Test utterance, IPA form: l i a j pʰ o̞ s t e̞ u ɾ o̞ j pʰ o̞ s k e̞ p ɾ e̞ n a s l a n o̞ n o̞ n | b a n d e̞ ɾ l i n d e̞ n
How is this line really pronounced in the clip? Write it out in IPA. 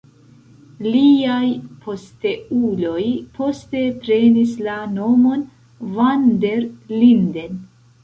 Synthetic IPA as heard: l i a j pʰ o̞ s t e̞ u l o̞ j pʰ o̞ s t e̞ p ɾ e̞ n i s l a n o̞ m o̞ n | v a n d e̞ ɾ l i n d e̞ n

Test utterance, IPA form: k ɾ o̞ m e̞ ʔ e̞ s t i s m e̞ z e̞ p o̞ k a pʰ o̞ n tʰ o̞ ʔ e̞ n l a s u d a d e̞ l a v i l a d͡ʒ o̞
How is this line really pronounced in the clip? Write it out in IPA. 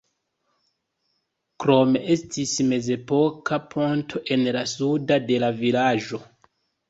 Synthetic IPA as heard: k ɾ o̞ m e̞ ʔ e̞ s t i s m e̞ z e̞ p o̞ k a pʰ o̞ n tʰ o̞ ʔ e̞ n l a s u d a d e̞ l a v i l a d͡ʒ o̞

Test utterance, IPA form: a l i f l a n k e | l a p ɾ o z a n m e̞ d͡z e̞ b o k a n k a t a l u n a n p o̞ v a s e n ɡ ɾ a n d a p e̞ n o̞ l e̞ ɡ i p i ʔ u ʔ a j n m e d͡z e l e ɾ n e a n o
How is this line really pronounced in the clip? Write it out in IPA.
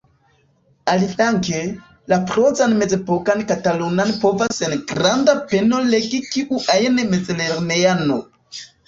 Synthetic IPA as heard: a l i f l a ŋ k e | l a p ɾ o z a n m e̞ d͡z e̞ p o k a n k a t a l u n a n p o̞ v a s e n ɡ ɾ a n d a p e̞ n o̞ l e̞ ɡ i k i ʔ u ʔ a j n m e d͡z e l e ɾ n e a n o

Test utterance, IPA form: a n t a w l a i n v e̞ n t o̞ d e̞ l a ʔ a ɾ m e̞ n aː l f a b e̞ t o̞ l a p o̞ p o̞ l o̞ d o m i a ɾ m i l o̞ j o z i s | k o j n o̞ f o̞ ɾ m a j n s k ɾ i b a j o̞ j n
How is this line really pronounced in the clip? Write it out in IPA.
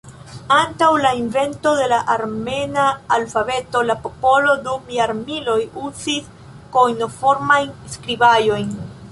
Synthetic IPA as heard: a n t a w l a i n v e̞ n t o̞ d e̞ l a ʔ a ɾ m e̞ n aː l f a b e̞ t o̞ l a p o̞ p o̞ l o̞ d u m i a ɾ m i l o̞ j u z i s | k o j n o̞ f o̞ ɾ m a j n s k ɾ i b a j o̞ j n

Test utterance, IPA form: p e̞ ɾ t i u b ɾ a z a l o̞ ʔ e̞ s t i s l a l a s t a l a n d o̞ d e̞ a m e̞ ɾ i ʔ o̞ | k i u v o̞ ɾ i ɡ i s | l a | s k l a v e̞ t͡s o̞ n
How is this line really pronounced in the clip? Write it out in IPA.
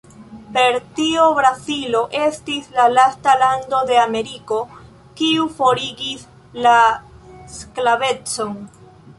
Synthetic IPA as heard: p e̞ ɾ t i o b ɾ a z i l o̞ ʔ e̞ s t i s l a l a s t a l a n d o̞ d e̞ a m e̞ ɾ i k o̞ | k i u f o̞ ɾ i ɡ i s | l a | s k l a v e̞ t͡s o̞ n

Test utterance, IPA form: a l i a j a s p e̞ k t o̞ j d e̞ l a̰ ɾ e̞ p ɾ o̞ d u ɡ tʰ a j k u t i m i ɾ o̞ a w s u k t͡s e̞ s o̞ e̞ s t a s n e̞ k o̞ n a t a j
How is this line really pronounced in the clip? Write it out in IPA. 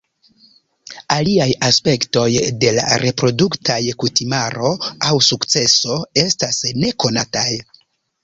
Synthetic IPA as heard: a l i a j a s p e̞ k t o̞ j d e̞ l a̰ ɾ e̞ p ɾ o̞ d u k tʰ a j k u t i m a ɾ o̞ a w s u k t͡s e̞ s o̞ e̞ s t a s n e̞ k o̞ n a t a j

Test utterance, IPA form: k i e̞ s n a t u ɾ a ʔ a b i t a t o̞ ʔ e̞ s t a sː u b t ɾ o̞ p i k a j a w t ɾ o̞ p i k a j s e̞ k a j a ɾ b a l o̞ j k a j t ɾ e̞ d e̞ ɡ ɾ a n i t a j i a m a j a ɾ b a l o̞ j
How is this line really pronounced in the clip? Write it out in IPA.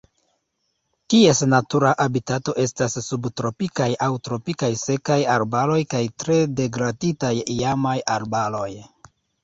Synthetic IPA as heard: k i e̞ s n a t u ɾ a ʔ a b i t a t o̞ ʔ e̞ s t a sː u b t ɾ o̞ p i k a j a w t ɾ o̞ p i k a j s e̞ k a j a ɾ b a l o̞ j k a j t ɾ e̞ d e̞ ɡ ɾ a d i t a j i a m a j a ɾ b a l o̞ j

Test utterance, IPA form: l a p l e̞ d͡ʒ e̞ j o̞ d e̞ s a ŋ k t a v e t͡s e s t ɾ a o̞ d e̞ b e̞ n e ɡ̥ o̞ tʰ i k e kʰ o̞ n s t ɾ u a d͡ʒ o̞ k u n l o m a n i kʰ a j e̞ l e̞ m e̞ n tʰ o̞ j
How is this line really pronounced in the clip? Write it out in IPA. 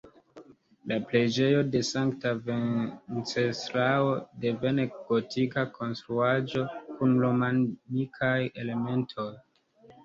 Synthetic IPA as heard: l a p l e̞ d͡ʒ e̞ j o̞ d e̞ s a ŋ k t a v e t͡s e s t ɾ a o̞ d e̞ v e̞ n e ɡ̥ o̞ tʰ i k a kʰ o̞ n s t ɾ u a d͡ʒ o̞ k u n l o m a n i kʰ a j e̞ l e̞ m e̞ n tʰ o̞ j

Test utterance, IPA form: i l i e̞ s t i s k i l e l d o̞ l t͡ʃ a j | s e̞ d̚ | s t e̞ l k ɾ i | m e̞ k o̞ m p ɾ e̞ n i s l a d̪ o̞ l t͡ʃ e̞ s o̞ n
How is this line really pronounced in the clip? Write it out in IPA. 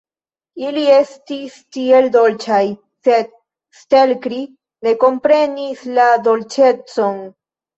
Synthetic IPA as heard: i l i e̞ s t i s t i e l d o̞ l t͡ʃ a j | s e̞ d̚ | s t e̞ l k ɾ i | n e̞ k o̞ m p ɾ e̞ n i s l a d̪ o̞ l t͡ʃ e̞ t͡s o̞ n

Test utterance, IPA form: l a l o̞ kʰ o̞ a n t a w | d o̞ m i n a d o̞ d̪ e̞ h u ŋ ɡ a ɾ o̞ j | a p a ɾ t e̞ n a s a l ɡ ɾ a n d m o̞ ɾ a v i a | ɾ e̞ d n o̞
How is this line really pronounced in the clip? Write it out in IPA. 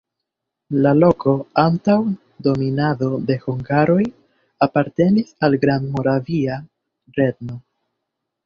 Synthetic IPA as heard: l a l o̞ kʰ o̞ a n t a w | d o̞ m i n a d o̞ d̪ e̞ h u ŋ ɡ a ɾ o̞ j | a p a ɾ t e̞ n i s a l ɡ ɾ a n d m o̞ ɾ a v i a | ɾ e̞ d n o̞

